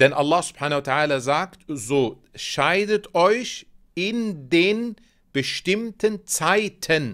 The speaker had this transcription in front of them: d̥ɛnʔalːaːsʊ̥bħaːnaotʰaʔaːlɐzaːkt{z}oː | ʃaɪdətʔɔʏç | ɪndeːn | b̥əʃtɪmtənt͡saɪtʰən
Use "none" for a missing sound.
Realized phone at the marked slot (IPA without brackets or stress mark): z